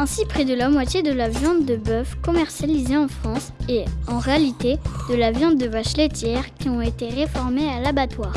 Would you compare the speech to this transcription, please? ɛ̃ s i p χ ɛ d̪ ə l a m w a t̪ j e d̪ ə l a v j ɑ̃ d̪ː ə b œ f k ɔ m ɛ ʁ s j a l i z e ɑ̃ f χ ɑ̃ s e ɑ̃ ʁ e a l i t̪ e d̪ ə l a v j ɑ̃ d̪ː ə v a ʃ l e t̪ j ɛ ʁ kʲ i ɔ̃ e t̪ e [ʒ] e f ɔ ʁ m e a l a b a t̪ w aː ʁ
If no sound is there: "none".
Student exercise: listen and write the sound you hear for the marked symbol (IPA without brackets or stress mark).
ʁ